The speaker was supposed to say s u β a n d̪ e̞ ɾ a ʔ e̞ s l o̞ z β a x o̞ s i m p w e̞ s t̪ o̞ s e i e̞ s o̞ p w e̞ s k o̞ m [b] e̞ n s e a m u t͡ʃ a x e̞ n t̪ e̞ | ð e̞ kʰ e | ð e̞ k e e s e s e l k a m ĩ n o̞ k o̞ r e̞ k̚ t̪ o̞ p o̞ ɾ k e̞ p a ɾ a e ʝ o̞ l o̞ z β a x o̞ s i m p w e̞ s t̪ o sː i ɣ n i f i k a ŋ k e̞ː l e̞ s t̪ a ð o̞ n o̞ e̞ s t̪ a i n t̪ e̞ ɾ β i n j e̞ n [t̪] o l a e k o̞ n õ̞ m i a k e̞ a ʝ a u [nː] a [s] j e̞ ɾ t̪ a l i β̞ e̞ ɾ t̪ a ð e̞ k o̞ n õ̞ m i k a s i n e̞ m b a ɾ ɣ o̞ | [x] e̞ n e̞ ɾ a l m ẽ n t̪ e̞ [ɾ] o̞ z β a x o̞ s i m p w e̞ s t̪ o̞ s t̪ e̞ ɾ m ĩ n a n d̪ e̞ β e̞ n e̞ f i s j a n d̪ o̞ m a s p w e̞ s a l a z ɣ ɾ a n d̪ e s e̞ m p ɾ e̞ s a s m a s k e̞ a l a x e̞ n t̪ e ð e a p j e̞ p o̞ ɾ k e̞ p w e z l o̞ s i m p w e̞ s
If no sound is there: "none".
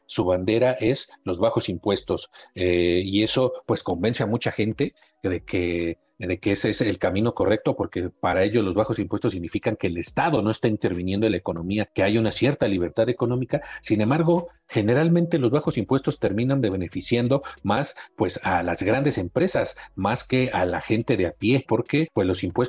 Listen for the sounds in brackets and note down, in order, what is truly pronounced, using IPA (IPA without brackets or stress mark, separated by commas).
b, d̪, n, s, x, l